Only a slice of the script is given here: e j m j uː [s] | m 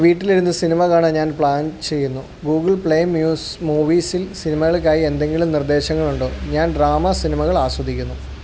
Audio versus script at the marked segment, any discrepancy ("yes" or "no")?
no